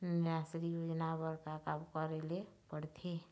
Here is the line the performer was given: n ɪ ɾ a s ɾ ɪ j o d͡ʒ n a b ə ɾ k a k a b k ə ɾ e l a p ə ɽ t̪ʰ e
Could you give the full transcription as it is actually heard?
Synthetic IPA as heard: n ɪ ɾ a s ɾ i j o d͡ʒ n a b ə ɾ k a k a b k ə ɾ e l e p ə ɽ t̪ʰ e

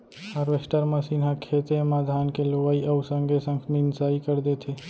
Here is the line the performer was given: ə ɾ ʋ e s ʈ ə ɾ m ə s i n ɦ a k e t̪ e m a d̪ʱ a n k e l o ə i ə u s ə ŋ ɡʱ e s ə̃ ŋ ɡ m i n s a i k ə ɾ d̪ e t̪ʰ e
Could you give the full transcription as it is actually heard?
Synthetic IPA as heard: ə ɾ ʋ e s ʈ ə ɾ m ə s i n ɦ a kʰ e t̪ e m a d̪ʱ a n k e l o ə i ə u s ə ŋ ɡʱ e s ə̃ ŋ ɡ m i n s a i k ə ɾ d̪ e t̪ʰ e

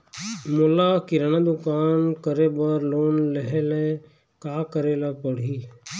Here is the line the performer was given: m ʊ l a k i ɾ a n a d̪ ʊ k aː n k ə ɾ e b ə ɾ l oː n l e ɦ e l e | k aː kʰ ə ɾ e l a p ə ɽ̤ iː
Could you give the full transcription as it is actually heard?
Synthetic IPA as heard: m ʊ l a k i ɾ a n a d̪ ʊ k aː n k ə ɾ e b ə ɾ l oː n l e ɦ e l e | k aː k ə ɾ e l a p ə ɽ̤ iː

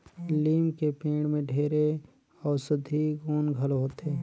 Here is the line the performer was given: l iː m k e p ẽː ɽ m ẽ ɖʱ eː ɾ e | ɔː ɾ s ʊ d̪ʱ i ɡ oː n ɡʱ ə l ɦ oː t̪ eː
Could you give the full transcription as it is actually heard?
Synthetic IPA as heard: l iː m k e p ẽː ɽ m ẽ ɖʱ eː ɾ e | ɔː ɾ s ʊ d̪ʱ i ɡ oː n ɡʱ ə l ɦ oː t̪ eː

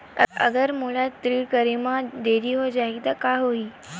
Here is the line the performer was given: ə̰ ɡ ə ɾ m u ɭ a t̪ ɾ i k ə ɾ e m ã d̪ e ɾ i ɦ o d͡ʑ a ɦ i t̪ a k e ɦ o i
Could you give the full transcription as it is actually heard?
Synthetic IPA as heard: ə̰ ɡ ə ɾ m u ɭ a t̪ ɾ i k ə ɾ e m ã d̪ e ɾ i ɦ o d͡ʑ a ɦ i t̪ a k a ɦ o i

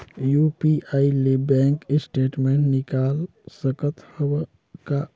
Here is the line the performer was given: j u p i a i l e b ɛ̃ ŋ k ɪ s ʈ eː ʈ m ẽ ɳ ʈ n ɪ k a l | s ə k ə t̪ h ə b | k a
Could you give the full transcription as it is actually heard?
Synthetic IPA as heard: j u p i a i l e b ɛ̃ ŋ k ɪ s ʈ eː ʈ m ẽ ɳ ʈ n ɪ k a l | s ə k ə t̪ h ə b | k a

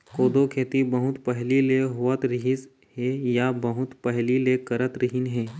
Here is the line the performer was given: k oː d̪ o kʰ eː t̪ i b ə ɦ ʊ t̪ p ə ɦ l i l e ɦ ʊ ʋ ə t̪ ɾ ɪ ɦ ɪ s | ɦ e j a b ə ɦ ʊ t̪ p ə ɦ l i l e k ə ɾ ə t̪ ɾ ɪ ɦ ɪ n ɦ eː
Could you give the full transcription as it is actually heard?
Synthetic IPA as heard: k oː d̪ o kʰ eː t̪ i b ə ɦ ʊ t̪ p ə ɦ l i l e ɦ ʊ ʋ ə t̪ ɾ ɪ ɦ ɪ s | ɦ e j a b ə ɦ ʊ t̪ p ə ɦ l i l e k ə ɾ ə t̪ ɾ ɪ ɦ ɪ n ɦ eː

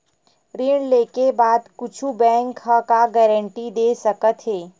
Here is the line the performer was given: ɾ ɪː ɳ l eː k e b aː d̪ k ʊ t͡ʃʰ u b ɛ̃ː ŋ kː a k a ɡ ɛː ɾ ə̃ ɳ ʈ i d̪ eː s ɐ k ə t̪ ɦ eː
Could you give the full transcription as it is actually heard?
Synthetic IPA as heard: ɾ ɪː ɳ l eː k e b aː d̪ k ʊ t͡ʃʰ u b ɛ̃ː ŋ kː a k a ɡ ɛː ɾ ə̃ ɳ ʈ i d̪ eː s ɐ k ə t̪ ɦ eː

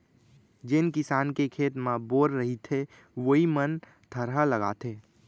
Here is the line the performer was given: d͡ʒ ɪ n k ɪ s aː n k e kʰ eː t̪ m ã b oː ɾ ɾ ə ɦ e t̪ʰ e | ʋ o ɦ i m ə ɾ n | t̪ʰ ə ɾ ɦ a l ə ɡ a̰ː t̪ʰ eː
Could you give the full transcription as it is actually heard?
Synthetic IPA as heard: d͡ʒ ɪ n k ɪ s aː n k e kʰ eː t̪ m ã b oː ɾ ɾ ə ɦ i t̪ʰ e | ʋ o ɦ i m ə n | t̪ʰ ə ɾ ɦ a l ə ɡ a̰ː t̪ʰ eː

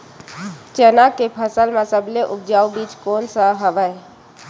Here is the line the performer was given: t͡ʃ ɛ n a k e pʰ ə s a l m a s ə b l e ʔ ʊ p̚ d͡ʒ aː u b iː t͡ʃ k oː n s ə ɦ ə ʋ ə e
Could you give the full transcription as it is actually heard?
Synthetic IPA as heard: t͡ʃ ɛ n a k e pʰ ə s ə l m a s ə b l e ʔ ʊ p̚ d͡ʒ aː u b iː t͡ʃ k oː n s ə ɦ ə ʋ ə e

